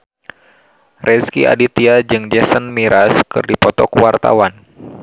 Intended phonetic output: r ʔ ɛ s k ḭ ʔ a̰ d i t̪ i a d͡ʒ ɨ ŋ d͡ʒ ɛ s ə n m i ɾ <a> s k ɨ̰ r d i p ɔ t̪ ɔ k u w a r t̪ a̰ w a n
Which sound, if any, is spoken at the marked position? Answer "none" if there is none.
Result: a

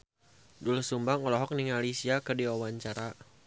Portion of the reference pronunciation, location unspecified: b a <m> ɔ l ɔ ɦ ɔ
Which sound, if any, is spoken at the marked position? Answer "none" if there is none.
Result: ŋ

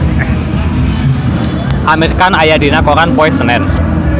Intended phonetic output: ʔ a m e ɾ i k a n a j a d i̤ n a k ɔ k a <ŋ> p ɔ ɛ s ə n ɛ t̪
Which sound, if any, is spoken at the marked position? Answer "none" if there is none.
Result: n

